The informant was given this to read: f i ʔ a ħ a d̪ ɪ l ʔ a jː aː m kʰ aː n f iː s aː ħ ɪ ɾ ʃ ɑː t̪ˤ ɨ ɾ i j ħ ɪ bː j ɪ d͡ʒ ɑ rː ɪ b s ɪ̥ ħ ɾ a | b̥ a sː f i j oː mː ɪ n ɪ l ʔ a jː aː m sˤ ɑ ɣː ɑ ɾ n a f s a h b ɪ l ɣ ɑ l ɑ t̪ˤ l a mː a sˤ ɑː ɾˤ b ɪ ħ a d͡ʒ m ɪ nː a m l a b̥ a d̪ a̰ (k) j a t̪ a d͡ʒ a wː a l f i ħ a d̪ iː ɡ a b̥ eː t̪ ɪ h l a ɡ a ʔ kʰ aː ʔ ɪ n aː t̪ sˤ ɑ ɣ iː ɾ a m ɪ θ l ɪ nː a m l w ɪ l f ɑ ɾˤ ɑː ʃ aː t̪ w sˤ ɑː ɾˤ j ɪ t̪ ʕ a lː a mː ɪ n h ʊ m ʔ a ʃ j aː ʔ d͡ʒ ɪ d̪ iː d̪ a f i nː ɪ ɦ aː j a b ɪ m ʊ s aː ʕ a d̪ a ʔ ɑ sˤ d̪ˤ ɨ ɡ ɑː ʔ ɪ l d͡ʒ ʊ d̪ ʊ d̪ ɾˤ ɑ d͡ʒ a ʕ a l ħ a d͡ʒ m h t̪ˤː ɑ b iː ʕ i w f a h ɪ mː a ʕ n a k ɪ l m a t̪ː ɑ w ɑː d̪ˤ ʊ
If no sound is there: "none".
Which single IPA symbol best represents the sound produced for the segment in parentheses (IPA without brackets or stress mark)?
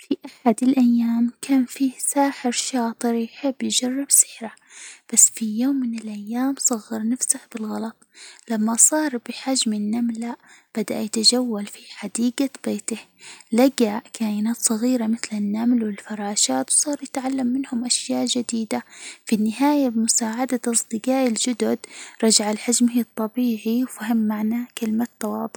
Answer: ʔ